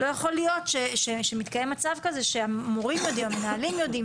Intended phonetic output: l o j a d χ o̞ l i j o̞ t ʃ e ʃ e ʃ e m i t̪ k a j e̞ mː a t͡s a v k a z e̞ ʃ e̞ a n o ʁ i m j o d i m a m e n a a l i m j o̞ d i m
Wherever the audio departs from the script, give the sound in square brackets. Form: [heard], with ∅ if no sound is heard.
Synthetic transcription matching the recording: l o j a [∅] χ o̞ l i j o̞ t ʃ e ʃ e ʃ e m i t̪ k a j e̞ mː a t͡s a v k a z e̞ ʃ e̞ a [m] o ʁ i m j o d i m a m e n a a l i m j o̞ d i m